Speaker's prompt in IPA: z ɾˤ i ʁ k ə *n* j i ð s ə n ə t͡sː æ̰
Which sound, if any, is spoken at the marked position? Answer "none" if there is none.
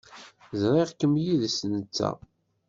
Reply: m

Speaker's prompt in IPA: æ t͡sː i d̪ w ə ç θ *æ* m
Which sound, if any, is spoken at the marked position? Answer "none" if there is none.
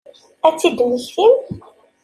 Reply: i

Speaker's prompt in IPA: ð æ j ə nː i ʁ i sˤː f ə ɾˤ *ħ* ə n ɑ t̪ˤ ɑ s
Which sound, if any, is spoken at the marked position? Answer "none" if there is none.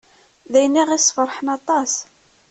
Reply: ħ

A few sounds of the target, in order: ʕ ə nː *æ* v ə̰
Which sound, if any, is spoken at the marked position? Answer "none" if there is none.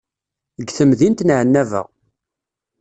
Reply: æ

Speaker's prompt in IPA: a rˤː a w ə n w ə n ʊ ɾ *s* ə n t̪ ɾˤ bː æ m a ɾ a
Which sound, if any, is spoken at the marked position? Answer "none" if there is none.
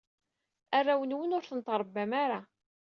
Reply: θ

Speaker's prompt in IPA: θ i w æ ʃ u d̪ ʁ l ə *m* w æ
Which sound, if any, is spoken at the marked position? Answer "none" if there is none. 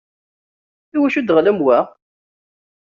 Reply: m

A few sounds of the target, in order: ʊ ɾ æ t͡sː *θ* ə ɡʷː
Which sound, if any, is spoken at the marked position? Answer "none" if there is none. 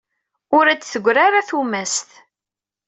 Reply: θ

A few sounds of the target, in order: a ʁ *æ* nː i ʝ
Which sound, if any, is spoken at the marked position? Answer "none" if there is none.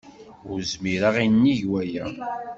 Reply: i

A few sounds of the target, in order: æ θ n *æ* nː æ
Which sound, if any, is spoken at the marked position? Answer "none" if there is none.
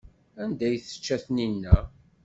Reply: i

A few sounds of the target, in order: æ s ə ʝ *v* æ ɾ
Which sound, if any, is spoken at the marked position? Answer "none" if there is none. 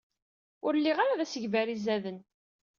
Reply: v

